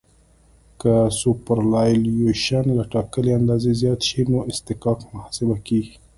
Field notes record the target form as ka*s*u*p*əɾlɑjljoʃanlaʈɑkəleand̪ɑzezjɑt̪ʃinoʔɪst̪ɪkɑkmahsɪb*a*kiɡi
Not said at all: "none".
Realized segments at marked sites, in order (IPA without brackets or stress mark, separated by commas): s, p, a